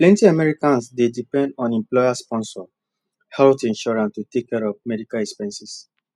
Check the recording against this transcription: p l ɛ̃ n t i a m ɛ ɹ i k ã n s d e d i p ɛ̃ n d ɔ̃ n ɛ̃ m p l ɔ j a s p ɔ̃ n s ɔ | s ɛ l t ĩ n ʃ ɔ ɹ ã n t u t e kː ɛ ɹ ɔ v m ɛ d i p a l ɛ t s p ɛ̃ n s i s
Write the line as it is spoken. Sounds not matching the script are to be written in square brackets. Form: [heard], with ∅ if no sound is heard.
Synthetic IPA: p l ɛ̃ n t i a m ɛ ɹ i k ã n s d e d i p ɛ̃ n d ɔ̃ n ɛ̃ m p l ɔ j a s p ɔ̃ n s ɔ | [h] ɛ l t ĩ n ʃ ɔ ɹ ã n t u t e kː ɛ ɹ ɔ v m ɛ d i [k] a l ɛ [k] s p ɛ̃ n s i s

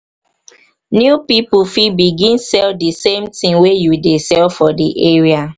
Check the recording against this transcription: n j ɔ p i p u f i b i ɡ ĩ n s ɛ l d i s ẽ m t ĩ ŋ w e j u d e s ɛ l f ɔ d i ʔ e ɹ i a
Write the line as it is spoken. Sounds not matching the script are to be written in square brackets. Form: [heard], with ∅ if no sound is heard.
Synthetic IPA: n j [u] p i p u f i b i ɡ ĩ n s ɛ l d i s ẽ m t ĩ ŋ w e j u d e s ɛ l f ɔ d i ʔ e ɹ i a

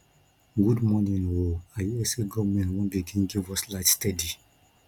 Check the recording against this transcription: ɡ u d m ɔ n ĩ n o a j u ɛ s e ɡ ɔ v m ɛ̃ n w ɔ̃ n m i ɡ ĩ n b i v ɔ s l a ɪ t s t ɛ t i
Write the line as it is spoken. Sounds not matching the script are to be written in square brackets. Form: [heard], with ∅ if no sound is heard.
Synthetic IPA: ɡ u d m ɔ n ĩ n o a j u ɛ s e ɡ ɔ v m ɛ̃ n w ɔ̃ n [b] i ɡ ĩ n [ɡ] i v ɔ s l a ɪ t s t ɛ [d] i

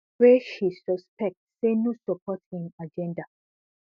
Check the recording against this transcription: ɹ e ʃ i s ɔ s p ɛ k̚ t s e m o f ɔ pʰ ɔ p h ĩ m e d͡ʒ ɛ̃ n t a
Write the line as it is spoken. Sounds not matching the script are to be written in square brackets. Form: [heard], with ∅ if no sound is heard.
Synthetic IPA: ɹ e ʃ i s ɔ s p ɛ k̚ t s e [n] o [s] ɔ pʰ ɔ [t] h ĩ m [a] d͡ʒ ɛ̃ n [d] a

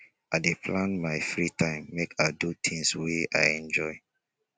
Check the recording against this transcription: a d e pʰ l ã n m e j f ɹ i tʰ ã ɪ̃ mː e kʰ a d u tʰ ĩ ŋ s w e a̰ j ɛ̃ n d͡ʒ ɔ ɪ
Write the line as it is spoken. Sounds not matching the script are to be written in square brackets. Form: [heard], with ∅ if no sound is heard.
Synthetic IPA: a d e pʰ l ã n m [a] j f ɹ i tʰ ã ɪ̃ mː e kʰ a d u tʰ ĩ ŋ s w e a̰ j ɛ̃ n d͡ʒ ɔ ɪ

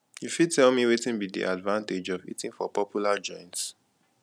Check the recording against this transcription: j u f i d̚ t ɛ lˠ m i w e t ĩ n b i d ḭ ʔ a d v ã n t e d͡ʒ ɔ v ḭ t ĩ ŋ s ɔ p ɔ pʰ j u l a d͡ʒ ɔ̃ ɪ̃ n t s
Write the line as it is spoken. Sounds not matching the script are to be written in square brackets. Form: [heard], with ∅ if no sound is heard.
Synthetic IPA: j u f i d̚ t ɛ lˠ m i w e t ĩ n b i d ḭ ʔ a d v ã n t e d͡ʒ ɔ v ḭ t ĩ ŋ [f] ɔ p ɔ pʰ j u l a d͡ʒ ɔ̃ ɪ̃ n t s

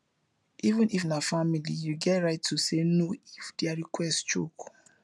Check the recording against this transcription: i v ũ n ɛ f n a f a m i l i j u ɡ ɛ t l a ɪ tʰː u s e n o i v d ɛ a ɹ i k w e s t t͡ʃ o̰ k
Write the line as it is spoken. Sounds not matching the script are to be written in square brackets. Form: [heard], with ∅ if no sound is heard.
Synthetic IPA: i v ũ n [i] f n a f a m i l i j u ɡ ɛ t [ɹ] a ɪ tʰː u s e n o i [f] d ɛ a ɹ i k w [ɛ] s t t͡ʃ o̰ k

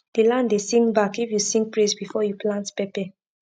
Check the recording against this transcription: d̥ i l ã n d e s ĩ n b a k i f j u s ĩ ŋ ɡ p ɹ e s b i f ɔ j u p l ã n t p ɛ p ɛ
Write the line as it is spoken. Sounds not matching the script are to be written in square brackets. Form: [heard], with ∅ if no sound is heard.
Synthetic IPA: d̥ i l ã n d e s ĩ [ŋ] b a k i f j u s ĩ ŋ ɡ p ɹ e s b i f ɔ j u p l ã n t p ɛ p ɛ

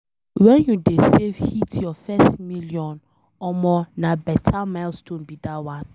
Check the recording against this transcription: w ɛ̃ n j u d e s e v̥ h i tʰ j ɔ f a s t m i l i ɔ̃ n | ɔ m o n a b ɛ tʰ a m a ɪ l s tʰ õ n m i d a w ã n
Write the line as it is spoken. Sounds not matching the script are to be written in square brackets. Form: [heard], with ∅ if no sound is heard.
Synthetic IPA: w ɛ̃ n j u d e s e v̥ h i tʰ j ɔ f [ɛ] s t m i l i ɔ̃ n | ɔ m [ɔ] n a b ɛ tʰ a m a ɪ l s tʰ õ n [b] i d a w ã n

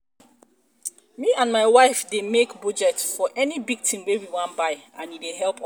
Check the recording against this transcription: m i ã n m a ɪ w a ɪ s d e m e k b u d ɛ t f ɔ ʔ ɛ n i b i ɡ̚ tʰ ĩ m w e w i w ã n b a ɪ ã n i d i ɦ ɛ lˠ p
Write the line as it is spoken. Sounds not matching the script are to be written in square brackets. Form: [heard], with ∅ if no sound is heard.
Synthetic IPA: m i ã n m a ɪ w a ɪ [f] d e m e k b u [d͡ʒ] ɛ t f ɔ ʔ ɛ n i b i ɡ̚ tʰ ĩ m w e w i w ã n b a ɪ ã n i d [e] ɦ ɛ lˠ p

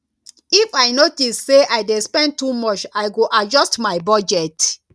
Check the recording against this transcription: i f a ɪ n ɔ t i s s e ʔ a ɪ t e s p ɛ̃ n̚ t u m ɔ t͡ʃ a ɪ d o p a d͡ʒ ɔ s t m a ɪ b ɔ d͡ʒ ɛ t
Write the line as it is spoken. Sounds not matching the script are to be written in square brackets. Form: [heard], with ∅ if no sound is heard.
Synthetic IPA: i f a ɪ n [o] t i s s e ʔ a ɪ [d] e s p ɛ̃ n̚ t u m ɔ t͡ʃ a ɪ [ɡ] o [ʔ] a d͡ʒ ɔ s t m a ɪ b ɔ d͡ʒ ɛ t

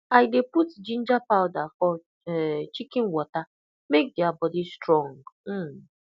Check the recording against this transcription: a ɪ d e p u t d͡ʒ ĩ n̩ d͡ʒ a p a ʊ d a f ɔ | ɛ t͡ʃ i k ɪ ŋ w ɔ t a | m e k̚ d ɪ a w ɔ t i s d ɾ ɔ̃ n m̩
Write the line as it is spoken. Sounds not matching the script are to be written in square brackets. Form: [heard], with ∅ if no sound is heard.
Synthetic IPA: a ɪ d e p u t d͡ʒ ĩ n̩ d͡ʒ a p a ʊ d a f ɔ | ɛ t͡ʃ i k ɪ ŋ w ɔ t a | m e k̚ d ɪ a [b] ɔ [d] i s [t] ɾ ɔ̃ [ŋ] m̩

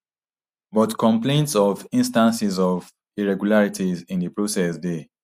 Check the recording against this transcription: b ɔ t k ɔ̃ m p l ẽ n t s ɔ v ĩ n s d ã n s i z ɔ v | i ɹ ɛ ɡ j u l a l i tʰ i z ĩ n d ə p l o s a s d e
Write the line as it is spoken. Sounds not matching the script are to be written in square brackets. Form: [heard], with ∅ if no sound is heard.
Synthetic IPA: b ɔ t k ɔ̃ m p l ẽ n t s ɔ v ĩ n s [t] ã n s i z ɔ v | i ɹ ɛ ɡ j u l a [ɹ] i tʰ i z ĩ n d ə p [ɹ] o s [ɛ] s d e

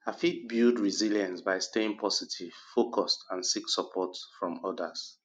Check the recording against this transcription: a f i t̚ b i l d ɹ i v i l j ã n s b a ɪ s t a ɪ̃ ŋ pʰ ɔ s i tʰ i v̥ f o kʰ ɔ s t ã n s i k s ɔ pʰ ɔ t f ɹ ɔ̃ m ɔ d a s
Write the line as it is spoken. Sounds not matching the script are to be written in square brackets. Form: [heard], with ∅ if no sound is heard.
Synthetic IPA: a f i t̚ b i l d ɹ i [z] i l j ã n s b a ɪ s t [e] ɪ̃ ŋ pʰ ɔ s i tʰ i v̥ f o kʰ ɔ s t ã n s i k s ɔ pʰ ɔ t f ɹ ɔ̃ m ɔ d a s

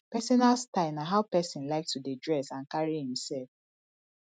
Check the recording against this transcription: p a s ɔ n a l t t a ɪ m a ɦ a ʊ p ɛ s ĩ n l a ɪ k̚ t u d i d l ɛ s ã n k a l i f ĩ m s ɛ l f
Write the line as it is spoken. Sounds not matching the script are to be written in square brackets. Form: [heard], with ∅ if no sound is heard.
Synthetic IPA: p [ɛ] s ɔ n a l [s] t a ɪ [n] a ɦ a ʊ p ɛ s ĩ n l a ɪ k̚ t u d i d [ɹ] ɛ s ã n k a [ɹ] i [h] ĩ m s ɛ l f

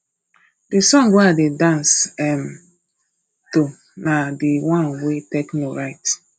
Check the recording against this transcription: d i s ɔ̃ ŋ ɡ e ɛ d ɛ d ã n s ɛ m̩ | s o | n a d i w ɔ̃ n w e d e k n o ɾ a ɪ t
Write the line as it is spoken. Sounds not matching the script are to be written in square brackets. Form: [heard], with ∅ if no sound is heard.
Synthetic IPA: d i s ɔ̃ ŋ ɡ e [a] d [e] d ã n s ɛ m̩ | [t] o | n a d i w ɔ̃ n w e [t] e k n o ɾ a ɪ t

